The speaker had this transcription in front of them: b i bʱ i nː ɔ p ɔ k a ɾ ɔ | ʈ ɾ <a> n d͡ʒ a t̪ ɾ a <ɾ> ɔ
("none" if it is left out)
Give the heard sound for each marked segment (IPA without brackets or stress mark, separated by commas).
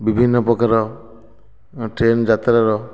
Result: e, ɾ